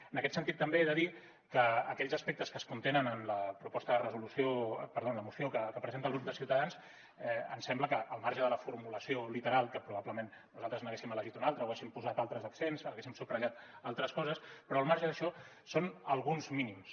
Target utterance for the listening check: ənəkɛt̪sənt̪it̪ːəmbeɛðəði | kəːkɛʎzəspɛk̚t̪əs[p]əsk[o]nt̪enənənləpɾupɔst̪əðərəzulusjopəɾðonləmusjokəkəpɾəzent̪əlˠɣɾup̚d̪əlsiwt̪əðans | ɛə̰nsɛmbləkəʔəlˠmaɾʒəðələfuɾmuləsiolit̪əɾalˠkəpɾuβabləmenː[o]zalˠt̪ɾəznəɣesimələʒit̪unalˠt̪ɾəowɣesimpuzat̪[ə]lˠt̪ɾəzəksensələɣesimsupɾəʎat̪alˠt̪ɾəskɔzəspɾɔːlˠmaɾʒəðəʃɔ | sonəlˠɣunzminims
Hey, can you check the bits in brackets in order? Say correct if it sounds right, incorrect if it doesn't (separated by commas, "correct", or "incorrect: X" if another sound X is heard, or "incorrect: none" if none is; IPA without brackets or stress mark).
incorrect: k, incorrect: u, incorrect: u, incorrect: a